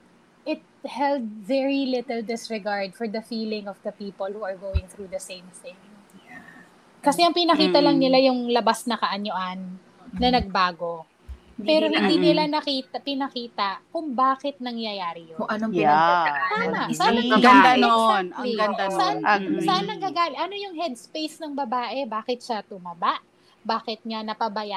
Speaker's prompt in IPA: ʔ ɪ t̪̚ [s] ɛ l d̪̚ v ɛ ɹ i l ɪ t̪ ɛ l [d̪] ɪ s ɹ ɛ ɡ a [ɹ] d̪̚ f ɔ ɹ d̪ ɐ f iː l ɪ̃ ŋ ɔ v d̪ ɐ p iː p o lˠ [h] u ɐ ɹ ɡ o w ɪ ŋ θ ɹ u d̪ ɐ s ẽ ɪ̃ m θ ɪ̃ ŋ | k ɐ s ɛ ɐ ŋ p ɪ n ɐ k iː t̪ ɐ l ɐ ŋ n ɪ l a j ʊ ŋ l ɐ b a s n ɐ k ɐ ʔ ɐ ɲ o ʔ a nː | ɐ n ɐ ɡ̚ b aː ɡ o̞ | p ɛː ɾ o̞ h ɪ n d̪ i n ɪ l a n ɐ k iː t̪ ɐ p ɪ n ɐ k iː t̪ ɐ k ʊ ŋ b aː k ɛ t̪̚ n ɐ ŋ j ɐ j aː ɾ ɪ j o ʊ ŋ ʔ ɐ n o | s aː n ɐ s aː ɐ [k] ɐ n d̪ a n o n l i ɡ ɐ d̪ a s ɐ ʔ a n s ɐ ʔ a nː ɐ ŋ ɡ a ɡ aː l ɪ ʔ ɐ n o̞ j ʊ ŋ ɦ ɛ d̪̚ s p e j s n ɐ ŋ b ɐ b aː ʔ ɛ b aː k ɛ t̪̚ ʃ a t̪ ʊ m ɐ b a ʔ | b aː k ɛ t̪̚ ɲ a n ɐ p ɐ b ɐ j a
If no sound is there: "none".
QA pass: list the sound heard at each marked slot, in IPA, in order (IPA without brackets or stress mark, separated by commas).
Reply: h, d̪, ɹ, h, ɡ